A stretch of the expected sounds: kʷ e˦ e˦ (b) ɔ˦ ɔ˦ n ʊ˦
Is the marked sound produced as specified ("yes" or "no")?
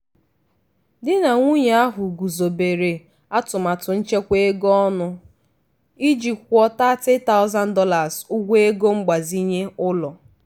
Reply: no